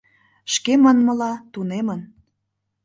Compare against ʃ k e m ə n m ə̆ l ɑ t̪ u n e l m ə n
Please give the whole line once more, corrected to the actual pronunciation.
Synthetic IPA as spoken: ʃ k e m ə n m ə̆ l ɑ t̪ u n e m ə n